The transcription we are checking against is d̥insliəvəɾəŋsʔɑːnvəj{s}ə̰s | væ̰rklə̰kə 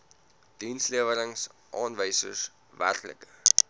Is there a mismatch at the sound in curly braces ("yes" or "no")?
no